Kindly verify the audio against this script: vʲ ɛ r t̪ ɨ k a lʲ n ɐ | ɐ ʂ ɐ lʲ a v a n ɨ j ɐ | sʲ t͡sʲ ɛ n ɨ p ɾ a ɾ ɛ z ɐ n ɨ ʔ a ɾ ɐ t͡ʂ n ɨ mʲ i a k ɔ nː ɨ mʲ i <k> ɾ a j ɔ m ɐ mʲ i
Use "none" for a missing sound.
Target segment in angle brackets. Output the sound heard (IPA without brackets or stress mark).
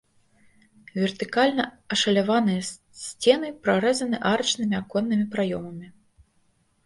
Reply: p